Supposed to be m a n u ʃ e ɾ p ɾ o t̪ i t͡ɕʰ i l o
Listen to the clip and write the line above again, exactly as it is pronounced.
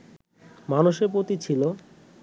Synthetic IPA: m a n u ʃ e ɾ p ɾ o t̪ i t͡ɕʰ i l o